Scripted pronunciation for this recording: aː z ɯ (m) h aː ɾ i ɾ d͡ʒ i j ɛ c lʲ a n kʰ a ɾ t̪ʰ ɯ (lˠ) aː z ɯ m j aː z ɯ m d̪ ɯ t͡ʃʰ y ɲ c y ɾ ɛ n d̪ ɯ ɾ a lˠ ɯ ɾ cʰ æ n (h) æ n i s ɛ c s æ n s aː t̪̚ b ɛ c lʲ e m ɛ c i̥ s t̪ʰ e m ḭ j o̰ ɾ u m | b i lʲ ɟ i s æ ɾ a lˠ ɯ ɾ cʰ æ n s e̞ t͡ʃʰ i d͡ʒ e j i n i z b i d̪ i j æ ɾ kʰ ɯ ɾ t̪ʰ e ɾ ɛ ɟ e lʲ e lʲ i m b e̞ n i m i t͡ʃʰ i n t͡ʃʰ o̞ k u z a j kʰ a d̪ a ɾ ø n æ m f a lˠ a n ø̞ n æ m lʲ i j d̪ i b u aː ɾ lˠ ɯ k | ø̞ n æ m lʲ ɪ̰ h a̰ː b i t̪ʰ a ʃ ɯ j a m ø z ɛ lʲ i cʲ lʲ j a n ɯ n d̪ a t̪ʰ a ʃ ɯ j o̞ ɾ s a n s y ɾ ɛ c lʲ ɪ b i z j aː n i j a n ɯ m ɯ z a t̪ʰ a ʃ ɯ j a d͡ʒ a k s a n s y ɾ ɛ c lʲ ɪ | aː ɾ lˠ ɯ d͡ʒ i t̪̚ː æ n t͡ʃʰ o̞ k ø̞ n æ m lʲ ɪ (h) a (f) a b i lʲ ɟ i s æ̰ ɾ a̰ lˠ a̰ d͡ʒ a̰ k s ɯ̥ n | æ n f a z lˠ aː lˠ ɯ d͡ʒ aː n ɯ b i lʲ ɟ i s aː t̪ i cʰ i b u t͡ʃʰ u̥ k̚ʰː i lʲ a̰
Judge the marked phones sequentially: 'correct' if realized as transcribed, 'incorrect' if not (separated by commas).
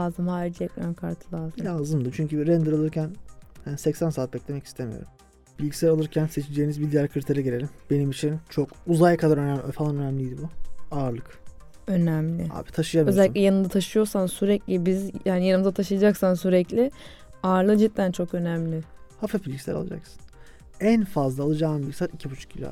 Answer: correct, correct, correct, correct, correct